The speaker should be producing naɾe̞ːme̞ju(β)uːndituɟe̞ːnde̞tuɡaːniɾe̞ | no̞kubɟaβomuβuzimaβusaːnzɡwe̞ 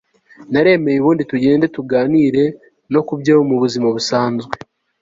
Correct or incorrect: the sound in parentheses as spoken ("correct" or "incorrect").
correct